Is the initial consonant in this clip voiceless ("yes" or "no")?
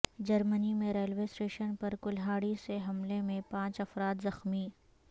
no